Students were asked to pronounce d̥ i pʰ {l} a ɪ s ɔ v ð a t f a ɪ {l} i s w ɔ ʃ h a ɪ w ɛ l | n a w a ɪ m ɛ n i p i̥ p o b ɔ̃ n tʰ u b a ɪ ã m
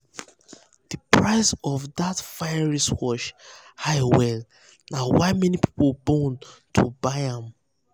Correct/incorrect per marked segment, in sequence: incorrect, incorrect

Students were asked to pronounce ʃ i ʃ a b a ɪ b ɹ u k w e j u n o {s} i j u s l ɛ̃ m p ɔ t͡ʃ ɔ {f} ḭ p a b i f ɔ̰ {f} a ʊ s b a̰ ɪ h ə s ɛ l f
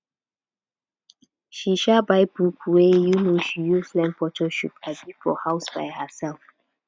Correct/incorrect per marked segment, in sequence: incorrect, incorrect, incorrect

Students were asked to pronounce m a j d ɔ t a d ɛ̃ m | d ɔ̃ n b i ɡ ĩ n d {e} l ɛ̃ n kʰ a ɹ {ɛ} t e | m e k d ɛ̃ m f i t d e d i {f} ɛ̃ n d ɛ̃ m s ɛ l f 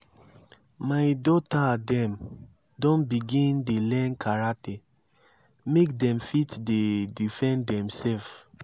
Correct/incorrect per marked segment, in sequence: correct, incorrect, correct

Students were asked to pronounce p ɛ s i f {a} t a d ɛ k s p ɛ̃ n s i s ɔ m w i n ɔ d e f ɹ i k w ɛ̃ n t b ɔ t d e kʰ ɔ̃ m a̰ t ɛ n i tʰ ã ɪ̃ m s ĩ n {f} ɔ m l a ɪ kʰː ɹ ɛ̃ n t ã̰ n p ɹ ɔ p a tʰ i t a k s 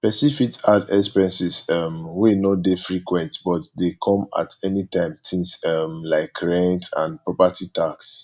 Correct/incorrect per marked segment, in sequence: incorrect, incorrect

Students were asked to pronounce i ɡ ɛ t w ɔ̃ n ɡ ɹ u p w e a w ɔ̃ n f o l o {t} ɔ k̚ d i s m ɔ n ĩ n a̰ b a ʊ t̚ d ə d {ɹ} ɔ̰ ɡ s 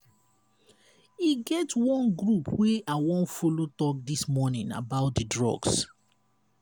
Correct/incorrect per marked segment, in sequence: correct, correct

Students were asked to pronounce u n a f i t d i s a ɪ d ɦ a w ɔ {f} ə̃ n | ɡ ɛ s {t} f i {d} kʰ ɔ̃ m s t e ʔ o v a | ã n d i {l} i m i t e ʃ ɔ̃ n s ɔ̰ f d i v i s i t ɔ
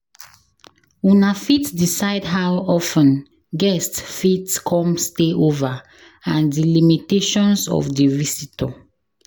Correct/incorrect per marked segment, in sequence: correct, correct, incorrect, correct

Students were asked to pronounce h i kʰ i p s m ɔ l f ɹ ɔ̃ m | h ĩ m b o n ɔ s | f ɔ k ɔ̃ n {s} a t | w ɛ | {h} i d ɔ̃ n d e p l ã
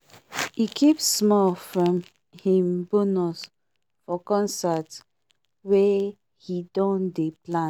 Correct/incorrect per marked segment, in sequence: correct, correct

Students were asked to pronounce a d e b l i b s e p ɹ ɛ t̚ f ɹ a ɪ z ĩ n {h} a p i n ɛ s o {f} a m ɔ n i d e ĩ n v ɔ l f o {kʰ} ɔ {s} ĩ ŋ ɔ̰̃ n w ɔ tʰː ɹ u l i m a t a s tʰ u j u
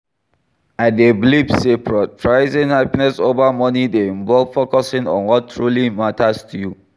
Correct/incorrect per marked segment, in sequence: correct, incorrect, incorrect, correct

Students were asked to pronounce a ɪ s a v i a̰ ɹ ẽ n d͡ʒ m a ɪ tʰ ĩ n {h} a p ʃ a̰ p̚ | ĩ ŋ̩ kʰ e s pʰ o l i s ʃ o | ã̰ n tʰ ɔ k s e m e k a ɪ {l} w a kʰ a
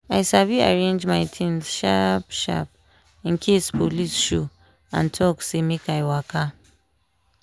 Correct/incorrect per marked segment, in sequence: incorrect, incorrect

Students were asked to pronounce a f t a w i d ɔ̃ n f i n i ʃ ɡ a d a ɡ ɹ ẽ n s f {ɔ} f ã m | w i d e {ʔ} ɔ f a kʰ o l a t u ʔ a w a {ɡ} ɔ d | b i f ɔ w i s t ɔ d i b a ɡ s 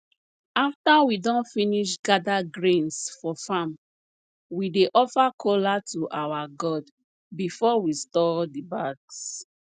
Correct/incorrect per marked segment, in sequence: correct, correct, correct

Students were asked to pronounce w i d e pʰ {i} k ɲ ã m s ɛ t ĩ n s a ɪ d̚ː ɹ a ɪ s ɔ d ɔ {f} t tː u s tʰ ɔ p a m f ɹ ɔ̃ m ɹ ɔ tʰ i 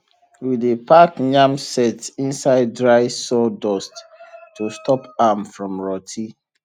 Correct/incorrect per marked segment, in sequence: incorrect, incorrect

